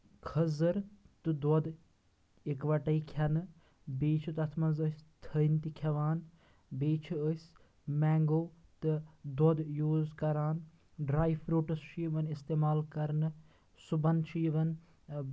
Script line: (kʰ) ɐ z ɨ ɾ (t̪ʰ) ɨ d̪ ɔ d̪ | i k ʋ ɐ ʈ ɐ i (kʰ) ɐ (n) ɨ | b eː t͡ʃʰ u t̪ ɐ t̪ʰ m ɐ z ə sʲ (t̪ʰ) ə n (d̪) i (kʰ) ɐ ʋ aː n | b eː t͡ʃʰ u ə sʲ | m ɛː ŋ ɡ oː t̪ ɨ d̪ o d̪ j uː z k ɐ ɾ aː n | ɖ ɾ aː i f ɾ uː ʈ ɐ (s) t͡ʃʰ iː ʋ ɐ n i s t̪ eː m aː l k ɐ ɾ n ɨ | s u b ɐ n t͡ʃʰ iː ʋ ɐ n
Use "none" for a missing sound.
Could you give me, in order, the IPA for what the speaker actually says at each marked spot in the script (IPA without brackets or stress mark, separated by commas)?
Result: kʰ, t̪, kʰ, n, t̪ʰ, t̪, kʰ, s